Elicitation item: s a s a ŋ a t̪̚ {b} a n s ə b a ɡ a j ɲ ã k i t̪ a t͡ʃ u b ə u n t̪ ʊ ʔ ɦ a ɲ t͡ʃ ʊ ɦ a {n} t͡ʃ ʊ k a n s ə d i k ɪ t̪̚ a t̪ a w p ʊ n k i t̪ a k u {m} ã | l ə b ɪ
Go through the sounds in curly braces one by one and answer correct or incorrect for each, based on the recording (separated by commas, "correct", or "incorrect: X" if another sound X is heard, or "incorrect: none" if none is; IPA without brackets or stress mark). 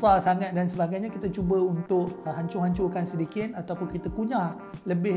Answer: incorrect: d, incorrect: ɲ, incorrect: ɲ